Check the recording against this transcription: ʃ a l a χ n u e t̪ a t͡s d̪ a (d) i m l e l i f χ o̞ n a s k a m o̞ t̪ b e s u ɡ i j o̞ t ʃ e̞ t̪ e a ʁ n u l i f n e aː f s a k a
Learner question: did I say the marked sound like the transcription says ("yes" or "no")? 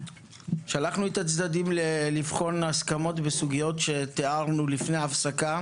yes